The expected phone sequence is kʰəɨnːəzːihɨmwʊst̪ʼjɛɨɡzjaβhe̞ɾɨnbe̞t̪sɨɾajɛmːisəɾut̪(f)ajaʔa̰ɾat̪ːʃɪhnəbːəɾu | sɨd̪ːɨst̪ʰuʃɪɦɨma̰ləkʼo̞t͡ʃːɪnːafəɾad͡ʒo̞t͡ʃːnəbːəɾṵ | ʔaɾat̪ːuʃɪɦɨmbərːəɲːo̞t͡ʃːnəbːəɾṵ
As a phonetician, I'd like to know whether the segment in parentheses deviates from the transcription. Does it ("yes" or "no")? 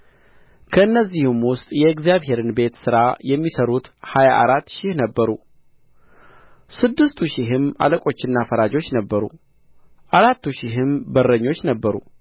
yes